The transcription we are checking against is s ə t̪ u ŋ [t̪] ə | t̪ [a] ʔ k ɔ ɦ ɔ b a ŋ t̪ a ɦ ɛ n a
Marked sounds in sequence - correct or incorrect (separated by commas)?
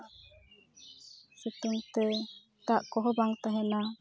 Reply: correct, correct